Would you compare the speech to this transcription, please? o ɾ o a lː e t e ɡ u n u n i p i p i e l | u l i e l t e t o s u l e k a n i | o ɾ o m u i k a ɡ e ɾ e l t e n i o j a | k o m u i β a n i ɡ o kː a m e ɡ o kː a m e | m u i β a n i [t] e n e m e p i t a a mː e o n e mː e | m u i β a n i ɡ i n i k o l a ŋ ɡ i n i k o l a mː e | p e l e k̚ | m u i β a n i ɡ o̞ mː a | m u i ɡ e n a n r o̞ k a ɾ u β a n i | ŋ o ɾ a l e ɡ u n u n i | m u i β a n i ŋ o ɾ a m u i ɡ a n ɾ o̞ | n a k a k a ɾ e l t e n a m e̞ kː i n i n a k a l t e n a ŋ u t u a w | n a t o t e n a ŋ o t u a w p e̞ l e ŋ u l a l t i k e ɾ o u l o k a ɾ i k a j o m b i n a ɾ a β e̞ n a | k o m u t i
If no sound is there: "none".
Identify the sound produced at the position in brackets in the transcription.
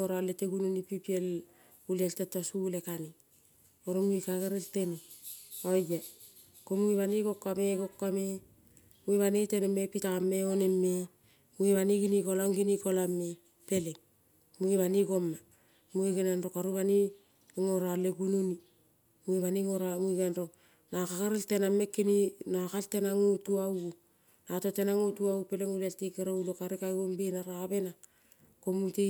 t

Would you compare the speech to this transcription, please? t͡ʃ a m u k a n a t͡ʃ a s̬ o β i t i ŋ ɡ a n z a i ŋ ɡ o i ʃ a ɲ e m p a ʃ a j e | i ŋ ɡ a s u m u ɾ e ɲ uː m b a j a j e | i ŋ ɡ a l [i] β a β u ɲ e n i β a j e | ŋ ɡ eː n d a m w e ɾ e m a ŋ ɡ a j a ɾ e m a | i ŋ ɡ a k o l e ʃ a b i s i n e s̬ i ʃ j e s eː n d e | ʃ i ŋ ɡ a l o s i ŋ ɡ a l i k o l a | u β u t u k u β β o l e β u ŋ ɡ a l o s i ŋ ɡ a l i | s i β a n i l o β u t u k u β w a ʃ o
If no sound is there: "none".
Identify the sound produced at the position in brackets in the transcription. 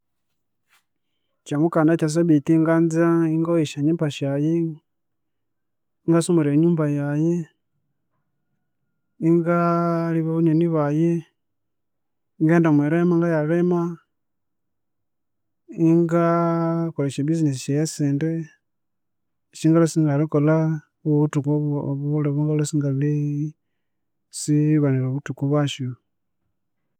i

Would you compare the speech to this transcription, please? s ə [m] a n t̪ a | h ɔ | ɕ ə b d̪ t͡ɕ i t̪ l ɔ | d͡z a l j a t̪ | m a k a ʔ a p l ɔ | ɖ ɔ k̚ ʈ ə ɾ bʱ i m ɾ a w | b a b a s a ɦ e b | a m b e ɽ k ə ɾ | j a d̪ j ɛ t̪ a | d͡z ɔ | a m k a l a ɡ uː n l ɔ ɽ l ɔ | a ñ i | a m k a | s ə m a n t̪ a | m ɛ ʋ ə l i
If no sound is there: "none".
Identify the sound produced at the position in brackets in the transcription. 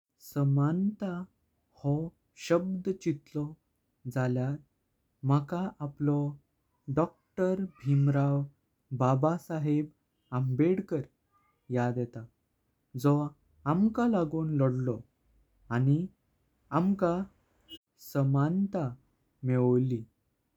m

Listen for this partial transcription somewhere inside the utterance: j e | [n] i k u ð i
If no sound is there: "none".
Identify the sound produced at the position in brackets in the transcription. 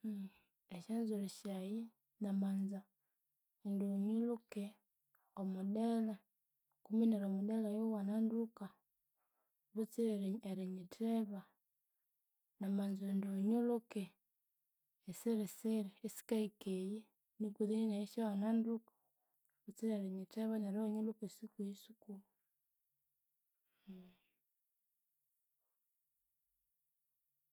n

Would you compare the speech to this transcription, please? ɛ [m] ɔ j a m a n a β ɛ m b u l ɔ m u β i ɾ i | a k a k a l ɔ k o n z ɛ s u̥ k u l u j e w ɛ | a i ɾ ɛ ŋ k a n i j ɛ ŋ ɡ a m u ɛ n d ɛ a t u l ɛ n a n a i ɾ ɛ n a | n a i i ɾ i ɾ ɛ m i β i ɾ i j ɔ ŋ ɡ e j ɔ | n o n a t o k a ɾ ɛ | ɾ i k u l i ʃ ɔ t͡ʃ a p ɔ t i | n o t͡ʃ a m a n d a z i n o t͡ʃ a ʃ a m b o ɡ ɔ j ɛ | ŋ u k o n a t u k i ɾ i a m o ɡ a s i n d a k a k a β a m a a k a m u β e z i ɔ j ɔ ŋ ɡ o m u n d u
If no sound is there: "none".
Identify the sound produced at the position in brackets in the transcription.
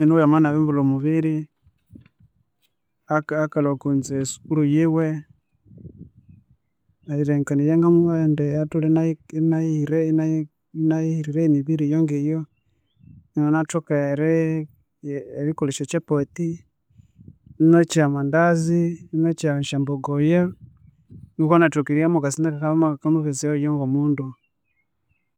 n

